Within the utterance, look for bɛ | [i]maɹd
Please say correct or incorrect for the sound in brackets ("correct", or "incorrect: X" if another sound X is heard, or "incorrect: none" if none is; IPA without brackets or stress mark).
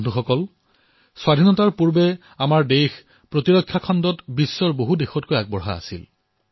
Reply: incorrect: a